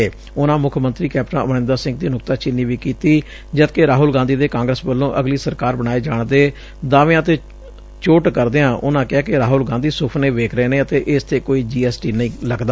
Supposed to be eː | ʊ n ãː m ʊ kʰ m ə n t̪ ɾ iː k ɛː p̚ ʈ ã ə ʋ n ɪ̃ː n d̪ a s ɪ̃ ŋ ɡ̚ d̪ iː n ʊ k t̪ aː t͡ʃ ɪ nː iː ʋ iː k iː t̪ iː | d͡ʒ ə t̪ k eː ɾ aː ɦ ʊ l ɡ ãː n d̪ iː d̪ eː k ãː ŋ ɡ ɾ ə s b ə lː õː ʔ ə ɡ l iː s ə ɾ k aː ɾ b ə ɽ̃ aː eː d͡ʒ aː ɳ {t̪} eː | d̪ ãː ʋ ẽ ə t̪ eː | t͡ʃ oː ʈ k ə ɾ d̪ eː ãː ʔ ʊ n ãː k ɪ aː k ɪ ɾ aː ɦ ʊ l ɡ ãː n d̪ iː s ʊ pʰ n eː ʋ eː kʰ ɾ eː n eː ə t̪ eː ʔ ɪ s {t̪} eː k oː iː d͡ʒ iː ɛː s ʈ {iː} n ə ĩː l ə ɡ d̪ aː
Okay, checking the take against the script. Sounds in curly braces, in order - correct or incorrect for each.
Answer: incorrect: d̪, incorrect: t̪ʰ, correct

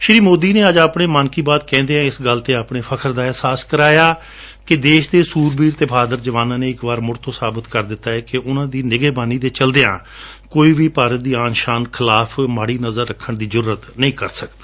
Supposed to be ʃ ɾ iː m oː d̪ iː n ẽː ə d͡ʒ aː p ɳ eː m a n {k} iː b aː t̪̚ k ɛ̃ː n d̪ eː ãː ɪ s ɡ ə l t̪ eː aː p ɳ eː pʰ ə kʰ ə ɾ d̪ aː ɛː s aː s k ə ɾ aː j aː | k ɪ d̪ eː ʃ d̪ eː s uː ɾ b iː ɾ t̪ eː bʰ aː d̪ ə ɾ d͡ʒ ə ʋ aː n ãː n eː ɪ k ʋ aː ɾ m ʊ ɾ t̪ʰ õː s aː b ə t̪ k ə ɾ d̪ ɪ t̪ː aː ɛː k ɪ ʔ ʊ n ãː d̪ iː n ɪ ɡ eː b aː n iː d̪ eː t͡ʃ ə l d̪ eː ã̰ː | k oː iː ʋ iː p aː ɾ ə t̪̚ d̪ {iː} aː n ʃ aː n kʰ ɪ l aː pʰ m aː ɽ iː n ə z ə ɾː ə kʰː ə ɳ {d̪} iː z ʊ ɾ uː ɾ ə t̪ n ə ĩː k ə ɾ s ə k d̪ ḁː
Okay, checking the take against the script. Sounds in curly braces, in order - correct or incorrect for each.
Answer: correct, correct, correct

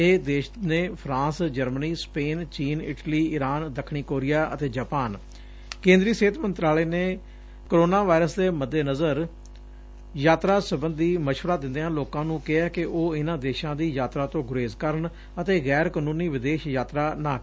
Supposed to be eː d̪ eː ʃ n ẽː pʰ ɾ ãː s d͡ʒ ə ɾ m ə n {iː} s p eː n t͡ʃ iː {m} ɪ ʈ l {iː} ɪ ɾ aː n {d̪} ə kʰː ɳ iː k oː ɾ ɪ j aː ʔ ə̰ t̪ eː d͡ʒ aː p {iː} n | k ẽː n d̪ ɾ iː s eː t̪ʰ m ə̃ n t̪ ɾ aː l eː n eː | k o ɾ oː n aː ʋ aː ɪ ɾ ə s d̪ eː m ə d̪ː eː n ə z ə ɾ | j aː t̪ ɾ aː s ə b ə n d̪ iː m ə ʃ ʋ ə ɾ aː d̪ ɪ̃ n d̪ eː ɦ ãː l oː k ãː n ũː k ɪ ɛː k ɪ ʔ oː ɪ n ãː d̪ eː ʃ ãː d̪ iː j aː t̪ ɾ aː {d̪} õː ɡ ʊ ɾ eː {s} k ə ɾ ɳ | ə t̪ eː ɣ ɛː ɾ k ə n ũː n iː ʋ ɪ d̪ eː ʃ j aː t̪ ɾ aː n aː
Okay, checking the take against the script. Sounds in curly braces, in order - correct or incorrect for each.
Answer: correct, incorrect: n, correct, correct, incorrect: aː, incorrect: t̪, incorrect: z

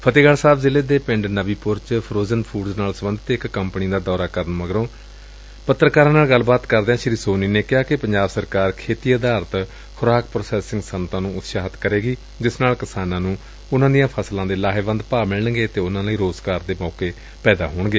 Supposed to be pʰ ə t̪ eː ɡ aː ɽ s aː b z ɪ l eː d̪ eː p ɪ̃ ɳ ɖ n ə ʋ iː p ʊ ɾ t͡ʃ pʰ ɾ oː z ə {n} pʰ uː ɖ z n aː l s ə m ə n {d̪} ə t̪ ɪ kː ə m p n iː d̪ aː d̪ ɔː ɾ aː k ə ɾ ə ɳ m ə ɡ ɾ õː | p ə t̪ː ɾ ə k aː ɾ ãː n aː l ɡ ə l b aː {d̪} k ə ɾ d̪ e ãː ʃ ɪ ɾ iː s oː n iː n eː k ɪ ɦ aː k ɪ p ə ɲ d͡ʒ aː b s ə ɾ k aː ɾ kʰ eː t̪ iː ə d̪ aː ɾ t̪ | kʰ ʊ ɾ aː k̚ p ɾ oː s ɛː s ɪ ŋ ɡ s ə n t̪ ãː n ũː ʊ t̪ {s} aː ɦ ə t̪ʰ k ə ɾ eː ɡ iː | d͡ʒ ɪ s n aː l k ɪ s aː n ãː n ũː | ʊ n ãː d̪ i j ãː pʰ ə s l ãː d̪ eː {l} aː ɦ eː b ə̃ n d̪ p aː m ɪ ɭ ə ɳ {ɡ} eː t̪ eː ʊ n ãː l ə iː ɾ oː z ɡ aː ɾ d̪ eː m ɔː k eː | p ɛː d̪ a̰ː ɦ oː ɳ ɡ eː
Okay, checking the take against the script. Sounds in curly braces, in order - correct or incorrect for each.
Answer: correct, correct, incorrect: t̪, incorrect: ʃ, correct, correct

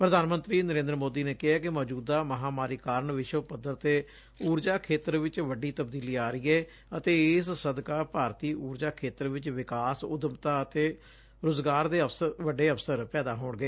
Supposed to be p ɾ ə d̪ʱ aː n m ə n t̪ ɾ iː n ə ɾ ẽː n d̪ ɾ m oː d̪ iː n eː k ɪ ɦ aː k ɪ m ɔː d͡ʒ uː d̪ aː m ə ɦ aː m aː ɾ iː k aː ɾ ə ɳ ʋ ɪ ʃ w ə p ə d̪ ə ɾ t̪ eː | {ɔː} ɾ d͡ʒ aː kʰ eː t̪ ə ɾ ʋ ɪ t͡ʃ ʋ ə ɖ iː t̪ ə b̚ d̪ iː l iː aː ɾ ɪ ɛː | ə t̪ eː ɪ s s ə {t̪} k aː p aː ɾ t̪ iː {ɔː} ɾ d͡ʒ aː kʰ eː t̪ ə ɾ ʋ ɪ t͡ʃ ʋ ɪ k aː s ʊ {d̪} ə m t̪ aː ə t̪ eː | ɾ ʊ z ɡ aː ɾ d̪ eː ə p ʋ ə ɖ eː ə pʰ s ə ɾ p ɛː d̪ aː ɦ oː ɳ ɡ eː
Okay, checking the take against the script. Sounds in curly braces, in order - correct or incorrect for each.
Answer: incorrect: uː, incorrect: d̪, incorrect: uː, correct

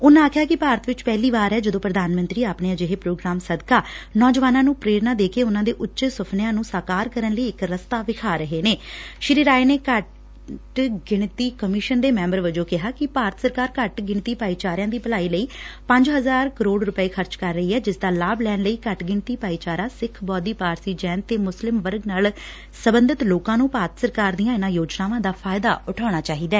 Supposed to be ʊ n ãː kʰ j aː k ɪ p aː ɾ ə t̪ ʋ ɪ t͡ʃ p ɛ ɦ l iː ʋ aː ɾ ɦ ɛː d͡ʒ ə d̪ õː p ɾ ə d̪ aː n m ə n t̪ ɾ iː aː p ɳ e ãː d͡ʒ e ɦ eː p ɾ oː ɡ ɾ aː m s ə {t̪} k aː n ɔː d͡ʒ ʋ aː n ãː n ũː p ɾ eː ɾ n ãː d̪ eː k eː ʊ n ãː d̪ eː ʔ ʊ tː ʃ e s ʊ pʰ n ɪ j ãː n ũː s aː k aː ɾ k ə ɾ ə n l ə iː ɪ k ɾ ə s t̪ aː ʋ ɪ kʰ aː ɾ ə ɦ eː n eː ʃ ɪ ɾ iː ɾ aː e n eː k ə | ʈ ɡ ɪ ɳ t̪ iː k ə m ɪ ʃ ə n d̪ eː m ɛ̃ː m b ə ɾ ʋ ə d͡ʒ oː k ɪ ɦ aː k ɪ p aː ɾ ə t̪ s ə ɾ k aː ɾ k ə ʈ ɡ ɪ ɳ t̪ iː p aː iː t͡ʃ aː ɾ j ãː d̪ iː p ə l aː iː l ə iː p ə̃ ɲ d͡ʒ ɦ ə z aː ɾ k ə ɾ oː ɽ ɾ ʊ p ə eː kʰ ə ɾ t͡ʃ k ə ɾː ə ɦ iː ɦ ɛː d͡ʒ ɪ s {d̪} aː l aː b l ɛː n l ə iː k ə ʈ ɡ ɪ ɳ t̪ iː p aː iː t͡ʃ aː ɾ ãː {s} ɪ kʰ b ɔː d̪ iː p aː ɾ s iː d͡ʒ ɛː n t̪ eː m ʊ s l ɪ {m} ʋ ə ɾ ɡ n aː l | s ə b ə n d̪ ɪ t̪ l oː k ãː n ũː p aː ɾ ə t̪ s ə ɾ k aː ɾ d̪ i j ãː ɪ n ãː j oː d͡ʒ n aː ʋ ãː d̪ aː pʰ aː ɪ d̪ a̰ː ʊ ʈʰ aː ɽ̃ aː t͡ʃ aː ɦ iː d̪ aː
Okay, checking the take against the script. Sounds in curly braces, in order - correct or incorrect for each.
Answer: incorrect: d̪, correct, correct, correct

